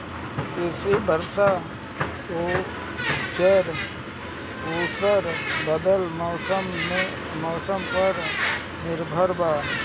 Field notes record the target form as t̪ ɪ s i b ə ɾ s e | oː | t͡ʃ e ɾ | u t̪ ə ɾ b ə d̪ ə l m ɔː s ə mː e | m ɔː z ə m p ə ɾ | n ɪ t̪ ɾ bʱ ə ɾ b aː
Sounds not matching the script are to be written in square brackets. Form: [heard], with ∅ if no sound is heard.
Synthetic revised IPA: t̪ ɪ s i b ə ɾ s [a] | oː | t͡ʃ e ɾ | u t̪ ə ɾ b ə d̪ ə l m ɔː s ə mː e | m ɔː [s] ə m p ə ɾ | n ɪ [∅] ɾ bʱ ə ɾ b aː